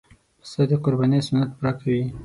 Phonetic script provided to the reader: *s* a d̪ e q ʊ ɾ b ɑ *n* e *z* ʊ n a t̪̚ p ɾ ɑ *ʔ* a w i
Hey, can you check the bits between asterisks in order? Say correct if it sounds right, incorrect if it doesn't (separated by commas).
correct, correct, incorrect, incorrect